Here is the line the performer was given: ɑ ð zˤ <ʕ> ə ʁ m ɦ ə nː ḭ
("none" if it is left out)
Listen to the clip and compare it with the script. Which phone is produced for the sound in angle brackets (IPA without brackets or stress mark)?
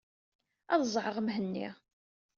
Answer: ʕ